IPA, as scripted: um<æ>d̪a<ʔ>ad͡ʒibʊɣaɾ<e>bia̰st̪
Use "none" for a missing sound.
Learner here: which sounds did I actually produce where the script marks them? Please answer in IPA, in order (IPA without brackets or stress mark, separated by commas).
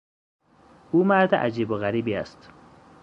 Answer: a, ʔ, i